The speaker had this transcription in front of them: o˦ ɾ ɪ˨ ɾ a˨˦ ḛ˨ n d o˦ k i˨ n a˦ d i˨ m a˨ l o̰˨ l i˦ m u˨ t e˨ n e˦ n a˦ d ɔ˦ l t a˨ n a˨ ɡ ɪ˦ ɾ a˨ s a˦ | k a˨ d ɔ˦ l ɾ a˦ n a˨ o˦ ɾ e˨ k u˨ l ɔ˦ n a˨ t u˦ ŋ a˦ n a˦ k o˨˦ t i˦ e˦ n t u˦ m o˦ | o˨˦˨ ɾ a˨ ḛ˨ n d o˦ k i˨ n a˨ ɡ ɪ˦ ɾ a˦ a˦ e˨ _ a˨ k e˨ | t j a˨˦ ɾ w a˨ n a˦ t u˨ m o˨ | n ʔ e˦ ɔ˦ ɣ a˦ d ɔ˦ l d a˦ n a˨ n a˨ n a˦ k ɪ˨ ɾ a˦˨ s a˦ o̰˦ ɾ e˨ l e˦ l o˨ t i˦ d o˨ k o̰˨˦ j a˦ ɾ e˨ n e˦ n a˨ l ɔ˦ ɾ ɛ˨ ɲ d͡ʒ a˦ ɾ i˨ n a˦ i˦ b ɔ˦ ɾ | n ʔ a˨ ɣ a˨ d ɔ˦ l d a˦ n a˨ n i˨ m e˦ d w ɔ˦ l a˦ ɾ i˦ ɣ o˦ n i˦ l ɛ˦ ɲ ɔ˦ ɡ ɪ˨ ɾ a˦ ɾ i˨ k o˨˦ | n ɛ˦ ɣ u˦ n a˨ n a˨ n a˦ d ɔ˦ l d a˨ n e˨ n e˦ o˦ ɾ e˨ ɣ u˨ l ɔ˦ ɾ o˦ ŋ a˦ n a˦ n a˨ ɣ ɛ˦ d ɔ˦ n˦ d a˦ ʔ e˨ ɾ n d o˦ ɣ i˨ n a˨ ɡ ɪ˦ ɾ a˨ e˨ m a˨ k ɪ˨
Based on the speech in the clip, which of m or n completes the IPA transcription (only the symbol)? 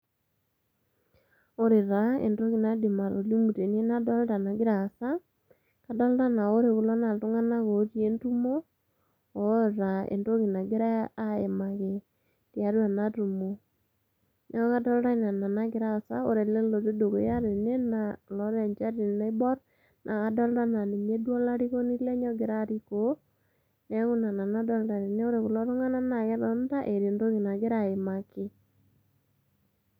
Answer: m